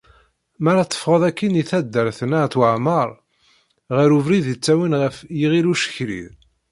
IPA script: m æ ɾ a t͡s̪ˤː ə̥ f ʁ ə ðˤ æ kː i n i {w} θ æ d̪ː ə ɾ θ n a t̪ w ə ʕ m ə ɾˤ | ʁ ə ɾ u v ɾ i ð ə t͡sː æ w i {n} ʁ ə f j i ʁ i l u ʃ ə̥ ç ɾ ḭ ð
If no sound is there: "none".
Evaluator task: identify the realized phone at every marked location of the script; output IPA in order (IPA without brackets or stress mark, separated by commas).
none, n